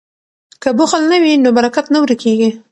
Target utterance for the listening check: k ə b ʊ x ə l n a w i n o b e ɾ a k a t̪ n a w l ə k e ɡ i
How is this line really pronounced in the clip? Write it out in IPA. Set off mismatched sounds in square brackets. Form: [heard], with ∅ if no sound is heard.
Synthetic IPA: k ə b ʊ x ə l n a w i n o b [a] ɾ a k a t̪ n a w [ɾ] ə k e ɡ i